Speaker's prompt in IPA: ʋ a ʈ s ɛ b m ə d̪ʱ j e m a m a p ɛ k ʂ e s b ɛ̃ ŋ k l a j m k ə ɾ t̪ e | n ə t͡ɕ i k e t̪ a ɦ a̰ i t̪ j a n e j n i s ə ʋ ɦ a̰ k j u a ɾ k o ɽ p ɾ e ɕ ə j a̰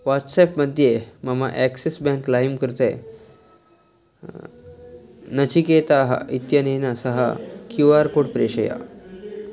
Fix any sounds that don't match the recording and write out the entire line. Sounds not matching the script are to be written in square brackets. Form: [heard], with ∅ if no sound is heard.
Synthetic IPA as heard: ʋ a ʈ s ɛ [p] m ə d̪ʱ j e m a m a [ʔ] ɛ k [s] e s b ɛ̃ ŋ k l a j m k ə ɾ t̪ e | n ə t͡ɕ i k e t̪ a ɦ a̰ i t̪ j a n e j n [a] s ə [∅] ɦ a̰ k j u a ɾ k o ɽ p ɾ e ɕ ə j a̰